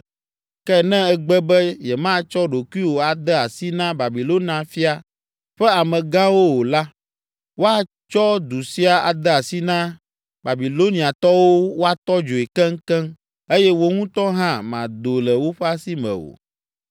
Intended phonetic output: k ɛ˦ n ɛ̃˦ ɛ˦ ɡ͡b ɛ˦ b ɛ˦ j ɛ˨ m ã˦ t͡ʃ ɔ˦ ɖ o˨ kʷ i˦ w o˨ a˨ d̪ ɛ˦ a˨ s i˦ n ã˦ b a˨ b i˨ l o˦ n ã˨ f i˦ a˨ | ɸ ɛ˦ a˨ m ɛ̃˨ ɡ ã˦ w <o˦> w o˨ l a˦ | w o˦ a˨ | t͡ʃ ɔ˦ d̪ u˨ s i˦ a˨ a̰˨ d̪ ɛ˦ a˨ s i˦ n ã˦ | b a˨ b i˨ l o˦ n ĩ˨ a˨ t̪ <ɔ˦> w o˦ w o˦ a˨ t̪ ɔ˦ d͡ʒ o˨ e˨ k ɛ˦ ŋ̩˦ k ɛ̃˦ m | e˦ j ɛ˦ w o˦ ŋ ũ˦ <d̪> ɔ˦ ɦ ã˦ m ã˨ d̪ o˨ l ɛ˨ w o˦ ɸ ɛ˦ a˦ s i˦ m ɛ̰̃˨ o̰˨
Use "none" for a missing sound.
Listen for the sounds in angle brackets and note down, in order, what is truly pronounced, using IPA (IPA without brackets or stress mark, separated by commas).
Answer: o˦, ɔ˦, t̪